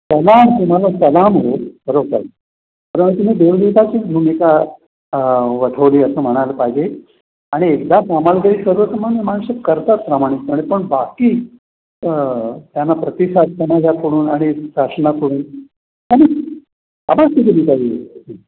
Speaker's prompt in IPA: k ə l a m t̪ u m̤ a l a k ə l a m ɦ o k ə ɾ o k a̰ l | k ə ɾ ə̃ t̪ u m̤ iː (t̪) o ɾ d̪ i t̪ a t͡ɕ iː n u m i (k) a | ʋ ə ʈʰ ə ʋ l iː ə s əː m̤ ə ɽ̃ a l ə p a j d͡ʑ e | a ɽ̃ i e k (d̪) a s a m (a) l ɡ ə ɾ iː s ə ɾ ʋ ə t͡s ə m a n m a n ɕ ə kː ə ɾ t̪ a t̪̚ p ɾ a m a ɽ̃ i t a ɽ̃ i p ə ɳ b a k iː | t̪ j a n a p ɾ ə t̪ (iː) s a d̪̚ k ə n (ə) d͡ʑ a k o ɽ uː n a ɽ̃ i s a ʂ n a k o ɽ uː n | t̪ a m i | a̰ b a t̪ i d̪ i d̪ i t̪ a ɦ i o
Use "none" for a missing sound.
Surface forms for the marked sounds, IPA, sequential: d̪, k, d̪, a, i, a

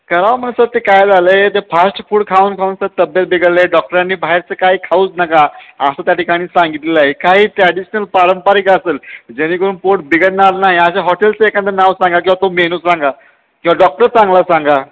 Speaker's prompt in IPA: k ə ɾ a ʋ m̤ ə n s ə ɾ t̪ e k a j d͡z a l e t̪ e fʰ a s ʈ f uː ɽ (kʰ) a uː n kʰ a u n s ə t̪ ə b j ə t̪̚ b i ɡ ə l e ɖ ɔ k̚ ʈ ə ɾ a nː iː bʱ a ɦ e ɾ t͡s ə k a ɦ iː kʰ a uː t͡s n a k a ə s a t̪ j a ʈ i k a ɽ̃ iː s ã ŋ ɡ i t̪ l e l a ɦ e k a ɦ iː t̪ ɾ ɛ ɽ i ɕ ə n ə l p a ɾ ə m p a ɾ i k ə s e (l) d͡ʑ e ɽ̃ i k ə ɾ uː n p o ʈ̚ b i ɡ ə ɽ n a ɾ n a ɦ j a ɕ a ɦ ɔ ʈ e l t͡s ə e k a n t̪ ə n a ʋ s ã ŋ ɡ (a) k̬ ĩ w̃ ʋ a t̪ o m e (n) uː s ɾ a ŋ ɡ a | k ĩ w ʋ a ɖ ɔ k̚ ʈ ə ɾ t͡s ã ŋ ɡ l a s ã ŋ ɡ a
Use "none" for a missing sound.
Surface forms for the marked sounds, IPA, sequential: kʰ, l, a, n

